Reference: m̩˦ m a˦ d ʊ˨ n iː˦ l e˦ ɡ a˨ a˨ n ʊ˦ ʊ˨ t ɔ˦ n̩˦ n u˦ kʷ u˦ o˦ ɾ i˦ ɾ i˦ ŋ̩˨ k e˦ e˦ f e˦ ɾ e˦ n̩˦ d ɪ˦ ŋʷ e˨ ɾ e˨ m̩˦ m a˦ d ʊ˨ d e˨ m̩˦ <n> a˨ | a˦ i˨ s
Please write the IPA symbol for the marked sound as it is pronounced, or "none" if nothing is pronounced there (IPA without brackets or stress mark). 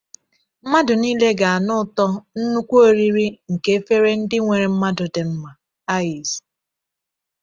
m